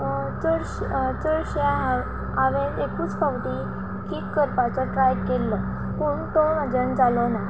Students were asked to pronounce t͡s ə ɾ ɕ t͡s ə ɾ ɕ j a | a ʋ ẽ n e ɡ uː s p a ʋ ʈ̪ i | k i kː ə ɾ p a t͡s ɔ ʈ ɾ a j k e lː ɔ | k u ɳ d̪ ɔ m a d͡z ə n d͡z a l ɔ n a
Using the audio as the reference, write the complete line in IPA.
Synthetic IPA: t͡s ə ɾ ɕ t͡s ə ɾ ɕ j a | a ʋ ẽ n e k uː t͡s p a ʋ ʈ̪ i | k i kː ə ɾ p a t͡s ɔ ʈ ɾ a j k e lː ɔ | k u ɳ t̪ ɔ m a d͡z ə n d͡z a l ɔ n a